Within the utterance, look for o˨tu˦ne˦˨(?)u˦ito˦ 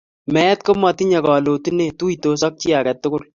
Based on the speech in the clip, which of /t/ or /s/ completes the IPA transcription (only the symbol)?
t